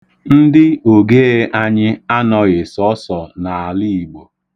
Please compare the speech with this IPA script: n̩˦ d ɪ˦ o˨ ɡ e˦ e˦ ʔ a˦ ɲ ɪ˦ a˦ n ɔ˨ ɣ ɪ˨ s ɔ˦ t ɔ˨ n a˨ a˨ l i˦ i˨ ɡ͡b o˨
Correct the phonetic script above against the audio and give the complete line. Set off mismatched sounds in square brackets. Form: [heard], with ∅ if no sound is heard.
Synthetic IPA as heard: n̩˦ d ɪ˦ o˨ ɡ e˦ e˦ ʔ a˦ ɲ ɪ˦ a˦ n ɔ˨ ɣ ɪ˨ s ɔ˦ [s] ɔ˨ n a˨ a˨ l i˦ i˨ ɡ͡b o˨